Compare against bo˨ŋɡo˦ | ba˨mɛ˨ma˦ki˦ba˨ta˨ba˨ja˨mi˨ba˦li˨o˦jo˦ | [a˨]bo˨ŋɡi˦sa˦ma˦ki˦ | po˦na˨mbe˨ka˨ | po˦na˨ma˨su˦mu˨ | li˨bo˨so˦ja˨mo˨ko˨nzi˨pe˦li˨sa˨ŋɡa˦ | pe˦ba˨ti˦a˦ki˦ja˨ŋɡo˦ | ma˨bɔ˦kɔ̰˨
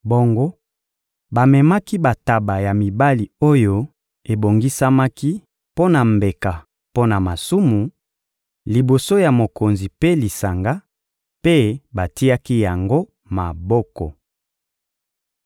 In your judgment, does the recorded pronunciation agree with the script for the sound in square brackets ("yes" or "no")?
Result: no